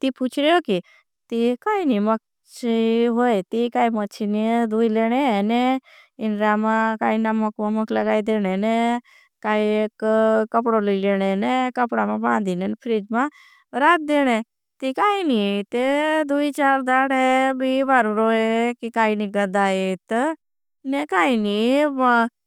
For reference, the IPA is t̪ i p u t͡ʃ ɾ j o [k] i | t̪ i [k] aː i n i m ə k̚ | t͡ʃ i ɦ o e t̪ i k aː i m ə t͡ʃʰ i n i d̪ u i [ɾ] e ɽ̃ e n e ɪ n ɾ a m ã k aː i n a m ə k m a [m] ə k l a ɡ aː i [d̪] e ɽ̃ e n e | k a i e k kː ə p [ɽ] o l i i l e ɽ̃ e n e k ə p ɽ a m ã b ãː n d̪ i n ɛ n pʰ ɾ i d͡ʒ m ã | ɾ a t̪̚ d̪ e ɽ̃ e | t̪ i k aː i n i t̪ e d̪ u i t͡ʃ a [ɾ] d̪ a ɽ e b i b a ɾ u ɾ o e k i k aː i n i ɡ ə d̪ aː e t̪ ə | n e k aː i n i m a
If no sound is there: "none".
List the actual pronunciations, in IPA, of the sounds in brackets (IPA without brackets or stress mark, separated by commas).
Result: k, k, l, m, d̪, ɽ, ɾ